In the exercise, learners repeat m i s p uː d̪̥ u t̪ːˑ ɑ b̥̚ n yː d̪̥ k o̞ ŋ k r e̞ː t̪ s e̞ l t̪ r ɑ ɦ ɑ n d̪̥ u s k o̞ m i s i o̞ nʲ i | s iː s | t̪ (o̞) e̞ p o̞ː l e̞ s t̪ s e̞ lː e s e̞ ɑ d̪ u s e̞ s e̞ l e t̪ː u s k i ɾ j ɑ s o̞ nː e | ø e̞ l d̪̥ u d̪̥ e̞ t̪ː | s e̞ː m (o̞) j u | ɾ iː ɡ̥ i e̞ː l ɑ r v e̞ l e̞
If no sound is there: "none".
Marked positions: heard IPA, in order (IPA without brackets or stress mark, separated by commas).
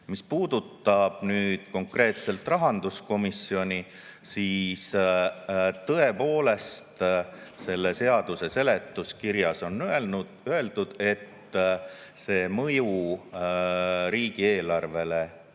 ɤ̞, ɤ̞